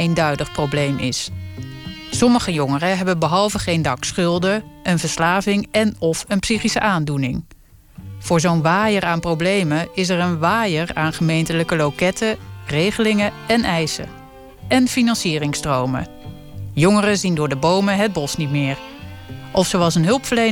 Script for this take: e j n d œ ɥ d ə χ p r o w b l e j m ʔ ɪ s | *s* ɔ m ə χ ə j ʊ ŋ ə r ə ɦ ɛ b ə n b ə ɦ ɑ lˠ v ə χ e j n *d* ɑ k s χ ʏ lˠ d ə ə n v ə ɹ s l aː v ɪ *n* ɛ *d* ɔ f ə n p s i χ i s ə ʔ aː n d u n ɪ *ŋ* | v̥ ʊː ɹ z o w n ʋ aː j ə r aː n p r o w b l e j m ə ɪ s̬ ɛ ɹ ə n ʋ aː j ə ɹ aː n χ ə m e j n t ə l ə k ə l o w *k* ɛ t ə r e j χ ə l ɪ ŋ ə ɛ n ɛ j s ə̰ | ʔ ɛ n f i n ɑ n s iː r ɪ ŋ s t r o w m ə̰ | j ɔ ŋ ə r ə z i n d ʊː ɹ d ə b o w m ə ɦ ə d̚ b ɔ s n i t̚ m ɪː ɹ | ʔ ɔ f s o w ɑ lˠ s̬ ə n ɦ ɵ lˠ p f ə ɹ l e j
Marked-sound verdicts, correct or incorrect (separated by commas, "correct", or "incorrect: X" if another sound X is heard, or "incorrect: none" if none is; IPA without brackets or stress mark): correct, correct, incorrect: ŋ, incorrect: n, correct, correct